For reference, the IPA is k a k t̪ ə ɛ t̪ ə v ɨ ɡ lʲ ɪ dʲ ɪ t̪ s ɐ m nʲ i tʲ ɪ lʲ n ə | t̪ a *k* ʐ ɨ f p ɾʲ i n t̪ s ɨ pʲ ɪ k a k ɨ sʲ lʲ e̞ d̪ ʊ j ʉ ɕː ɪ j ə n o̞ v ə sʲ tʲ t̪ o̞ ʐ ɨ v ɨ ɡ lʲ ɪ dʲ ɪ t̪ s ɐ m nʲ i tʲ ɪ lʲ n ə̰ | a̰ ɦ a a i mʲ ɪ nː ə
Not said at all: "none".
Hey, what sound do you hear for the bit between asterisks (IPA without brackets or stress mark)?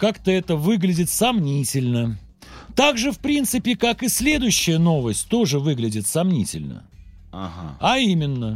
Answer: ɡ